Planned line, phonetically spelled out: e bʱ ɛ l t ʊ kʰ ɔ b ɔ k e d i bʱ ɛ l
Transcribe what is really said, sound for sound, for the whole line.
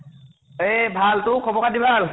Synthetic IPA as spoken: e bʱ a l t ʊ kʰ ɔ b ɔ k a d i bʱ a l